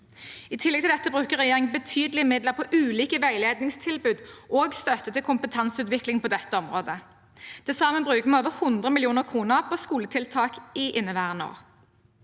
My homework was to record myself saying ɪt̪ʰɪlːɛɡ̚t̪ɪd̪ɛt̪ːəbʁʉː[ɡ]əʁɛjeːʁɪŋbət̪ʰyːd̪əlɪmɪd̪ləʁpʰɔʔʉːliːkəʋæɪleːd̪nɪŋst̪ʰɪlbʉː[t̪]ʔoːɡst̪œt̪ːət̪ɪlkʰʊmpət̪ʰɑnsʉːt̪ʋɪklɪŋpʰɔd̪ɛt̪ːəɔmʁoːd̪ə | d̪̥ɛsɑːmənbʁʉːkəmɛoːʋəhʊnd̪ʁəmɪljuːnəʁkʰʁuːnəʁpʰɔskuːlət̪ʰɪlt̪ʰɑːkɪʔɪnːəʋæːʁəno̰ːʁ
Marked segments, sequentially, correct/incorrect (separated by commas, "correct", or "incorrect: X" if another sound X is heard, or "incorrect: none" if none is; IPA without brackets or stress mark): incorrect: k, incorrect: d̪